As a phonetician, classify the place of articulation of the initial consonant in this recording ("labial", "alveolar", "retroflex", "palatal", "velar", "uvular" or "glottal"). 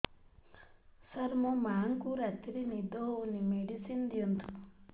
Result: alveolar